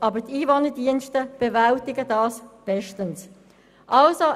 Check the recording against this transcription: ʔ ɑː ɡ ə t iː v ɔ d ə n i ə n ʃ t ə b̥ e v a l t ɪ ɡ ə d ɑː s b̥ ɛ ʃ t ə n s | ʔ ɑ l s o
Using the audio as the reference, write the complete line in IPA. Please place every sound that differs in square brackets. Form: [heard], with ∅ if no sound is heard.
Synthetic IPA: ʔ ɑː [b] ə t iː v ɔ [n] ə [d] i ə n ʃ t ə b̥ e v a l t ɪ ɡ ə d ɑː s b̥ ɛ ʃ t ə n s | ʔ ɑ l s o